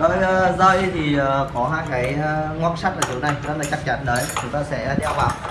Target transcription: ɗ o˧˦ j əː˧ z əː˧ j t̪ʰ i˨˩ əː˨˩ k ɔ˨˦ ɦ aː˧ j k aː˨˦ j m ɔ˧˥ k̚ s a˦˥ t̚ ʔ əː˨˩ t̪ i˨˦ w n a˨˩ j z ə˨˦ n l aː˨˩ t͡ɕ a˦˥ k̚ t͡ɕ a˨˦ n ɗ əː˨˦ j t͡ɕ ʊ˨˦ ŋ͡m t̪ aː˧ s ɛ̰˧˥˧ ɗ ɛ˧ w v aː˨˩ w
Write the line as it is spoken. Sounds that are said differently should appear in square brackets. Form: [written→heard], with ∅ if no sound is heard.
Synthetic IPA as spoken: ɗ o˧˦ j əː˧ z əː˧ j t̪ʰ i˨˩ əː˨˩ k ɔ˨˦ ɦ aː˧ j k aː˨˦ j [m→ŋ] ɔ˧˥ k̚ s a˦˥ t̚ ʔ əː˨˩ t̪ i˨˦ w n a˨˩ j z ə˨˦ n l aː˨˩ t͡ɕ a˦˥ k̚ t͡ɕ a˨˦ n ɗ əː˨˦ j t͡ɕ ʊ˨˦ ŋ͡m t̪ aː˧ s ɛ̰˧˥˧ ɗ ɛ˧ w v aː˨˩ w